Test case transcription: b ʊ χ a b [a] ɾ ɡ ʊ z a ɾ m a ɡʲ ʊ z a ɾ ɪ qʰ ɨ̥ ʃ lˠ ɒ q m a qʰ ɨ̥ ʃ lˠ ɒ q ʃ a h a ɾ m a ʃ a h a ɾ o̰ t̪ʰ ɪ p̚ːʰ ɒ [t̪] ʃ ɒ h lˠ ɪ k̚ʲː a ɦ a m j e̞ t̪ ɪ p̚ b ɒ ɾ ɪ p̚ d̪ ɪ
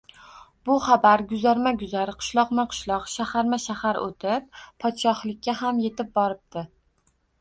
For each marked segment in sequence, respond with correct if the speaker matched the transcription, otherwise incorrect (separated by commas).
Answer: correct, correct